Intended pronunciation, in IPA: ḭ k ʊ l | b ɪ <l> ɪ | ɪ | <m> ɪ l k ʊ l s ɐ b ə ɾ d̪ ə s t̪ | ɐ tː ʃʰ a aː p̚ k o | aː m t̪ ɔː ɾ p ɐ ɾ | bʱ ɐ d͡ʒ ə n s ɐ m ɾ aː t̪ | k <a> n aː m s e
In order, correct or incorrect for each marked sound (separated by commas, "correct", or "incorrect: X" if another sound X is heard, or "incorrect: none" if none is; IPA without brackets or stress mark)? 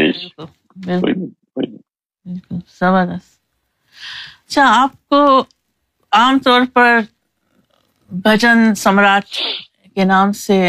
correct, incorrect: b, incorrect: e